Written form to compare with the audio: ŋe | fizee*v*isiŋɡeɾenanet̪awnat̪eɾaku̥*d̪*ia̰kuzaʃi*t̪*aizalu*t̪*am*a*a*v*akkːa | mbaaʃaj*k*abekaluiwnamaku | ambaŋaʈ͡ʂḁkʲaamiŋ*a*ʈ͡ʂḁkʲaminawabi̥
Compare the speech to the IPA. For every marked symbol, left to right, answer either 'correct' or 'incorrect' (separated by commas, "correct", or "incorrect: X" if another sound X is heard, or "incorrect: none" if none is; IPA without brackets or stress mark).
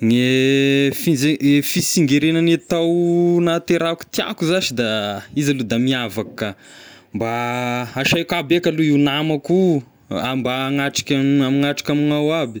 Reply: incorrect: f, incorrect: t̪, incorrect: d̪, incorrect: d̪, incorrect: i, correct, correct, correct